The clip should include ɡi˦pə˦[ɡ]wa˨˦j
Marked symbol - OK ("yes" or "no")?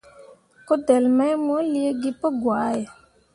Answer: yes